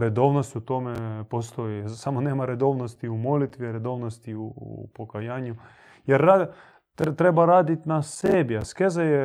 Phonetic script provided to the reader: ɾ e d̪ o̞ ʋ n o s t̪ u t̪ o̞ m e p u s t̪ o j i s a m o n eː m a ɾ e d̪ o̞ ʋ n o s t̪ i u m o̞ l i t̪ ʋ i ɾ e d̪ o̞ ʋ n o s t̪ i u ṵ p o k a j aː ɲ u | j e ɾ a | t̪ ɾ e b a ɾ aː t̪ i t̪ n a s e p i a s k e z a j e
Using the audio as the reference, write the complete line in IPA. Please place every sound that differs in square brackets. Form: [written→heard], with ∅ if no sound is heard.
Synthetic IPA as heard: ɾ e d̪ o̞ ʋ n o s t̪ u t̪ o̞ m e p [u→o] s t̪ o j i s a m o n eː m a ɾ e d̪ o̞ ʋ n o s t̪ i u m o̞ l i t̪ ʋ i ɾ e d̪ o̞ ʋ n o s t̪ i u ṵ p o k a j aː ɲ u | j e ɾ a | t̪ ɾ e b a ɾ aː [t̪→d̪] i t̪ n a s e [p→b] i a s k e z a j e